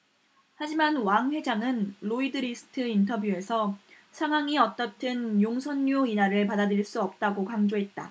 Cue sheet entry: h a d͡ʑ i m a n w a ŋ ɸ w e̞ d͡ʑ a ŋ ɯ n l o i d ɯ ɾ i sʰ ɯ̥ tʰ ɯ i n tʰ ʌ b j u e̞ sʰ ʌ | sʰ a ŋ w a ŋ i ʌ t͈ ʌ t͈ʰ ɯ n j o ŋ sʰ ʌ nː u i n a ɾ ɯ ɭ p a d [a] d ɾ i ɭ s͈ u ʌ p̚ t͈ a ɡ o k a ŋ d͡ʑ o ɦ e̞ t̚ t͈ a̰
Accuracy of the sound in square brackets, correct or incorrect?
correct